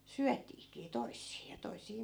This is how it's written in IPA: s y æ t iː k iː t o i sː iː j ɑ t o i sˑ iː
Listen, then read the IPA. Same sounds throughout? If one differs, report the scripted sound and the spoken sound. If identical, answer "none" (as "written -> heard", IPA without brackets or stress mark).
none